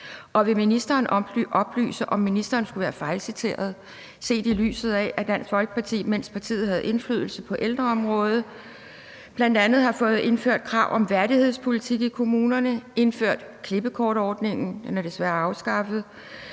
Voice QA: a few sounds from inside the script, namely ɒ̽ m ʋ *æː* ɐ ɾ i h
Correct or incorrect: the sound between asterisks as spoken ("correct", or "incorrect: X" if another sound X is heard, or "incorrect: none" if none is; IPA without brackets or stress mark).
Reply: incorrect: æ